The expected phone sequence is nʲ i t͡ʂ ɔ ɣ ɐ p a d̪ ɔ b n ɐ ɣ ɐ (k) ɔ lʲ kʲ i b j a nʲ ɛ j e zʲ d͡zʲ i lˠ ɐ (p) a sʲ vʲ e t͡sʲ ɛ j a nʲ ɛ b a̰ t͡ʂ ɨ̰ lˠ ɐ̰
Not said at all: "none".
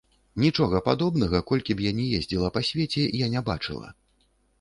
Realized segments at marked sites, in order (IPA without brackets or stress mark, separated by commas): k, p